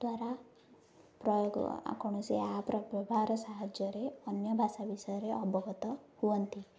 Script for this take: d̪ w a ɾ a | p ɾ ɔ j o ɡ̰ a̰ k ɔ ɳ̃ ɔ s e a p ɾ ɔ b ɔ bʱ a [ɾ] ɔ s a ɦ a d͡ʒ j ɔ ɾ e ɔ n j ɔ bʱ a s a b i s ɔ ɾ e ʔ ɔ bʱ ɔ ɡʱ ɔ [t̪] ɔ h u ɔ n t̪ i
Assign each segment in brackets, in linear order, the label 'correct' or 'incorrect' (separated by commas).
correct, correct